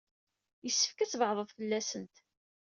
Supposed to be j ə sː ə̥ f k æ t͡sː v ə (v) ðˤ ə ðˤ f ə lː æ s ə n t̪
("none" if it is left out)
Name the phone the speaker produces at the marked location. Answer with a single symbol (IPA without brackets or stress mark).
ʕ